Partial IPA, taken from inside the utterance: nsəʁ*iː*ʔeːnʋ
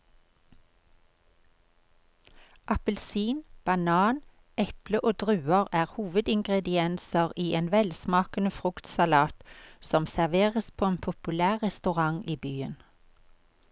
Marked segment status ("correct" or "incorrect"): correct